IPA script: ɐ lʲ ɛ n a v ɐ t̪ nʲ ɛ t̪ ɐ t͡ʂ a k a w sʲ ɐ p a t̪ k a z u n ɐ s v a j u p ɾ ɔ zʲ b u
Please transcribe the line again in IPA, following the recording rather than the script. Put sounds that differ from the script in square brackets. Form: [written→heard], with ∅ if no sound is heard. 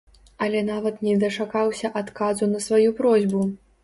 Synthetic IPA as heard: ɐ lʲ ɛ n a v ɐ t̪ nʲ ɛ [t̪→d̪] ɐ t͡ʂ a k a w sʲ ɐ [p→ʔ] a t̪ k a z u n ɐ s v a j u p ɾ ɔ zʲ b u